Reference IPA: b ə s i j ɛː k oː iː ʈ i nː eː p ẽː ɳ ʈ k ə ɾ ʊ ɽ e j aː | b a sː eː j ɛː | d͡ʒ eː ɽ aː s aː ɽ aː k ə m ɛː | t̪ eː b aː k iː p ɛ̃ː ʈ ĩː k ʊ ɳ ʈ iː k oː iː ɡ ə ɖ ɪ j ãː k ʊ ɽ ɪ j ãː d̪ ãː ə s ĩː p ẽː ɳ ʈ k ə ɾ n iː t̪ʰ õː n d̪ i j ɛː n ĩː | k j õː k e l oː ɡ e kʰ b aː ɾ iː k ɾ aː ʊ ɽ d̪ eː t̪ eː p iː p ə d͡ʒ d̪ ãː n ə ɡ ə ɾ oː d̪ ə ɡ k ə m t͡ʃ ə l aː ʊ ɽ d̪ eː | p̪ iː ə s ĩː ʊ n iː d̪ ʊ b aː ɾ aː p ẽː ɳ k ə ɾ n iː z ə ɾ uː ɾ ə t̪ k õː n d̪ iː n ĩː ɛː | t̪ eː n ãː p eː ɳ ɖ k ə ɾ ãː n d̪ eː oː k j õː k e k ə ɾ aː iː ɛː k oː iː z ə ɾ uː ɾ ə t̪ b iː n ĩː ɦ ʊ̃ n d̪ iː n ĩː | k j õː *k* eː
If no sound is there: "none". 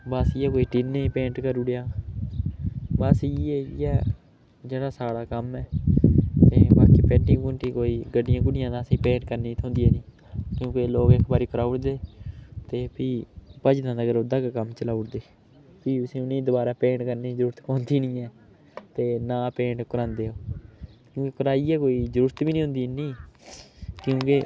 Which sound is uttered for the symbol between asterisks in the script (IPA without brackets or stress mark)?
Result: k